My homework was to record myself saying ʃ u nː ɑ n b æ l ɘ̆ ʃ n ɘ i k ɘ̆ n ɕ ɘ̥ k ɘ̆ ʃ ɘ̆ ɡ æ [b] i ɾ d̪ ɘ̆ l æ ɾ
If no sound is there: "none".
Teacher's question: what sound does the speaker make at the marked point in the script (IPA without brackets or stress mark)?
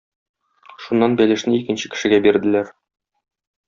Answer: b